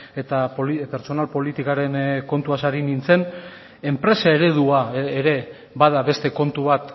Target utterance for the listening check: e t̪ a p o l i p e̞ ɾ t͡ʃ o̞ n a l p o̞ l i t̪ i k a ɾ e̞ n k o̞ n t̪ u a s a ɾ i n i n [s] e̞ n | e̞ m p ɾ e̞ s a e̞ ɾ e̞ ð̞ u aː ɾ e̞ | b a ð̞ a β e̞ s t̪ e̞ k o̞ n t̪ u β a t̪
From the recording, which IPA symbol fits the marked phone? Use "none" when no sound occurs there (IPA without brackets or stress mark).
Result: t͡s